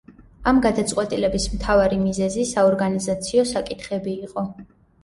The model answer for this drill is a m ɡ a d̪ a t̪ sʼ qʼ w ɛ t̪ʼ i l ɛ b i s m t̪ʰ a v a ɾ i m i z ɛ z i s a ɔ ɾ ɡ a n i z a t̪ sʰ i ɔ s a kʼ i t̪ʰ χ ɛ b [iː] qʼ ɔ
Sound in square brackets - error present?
no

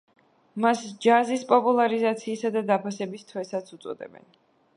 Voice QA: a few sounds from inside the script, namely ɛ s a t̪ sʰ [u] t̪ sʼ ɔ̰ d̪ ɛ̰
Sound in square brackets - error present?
no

